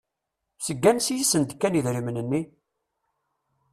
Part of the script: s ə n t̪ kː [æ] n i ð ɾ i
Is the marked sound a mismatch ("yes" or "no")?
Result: no